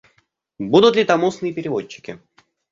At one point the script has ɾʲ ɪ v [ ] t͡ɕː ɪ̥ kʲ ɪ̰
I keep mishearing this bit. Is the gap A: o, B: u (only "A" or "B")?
A